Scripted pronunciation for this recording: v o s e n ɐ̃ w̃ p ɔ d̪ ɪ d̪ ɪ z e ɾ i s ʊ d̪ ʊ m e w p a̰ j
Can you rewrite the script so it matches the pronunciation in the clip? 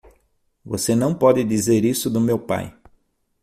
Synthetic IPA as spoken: v o s e n ɐ̃ w̃ p ɔ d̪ ɪ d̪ i z e ɾ i s ʊ d̪ ʊ m e w p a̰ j